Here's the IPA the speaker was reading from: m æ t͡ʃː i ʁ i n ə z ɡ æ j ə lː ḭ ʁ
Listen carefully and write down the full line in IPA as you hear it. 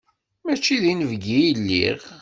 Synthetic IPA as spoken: m æ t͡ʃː i ð i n ə v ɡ i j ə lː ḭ ʁ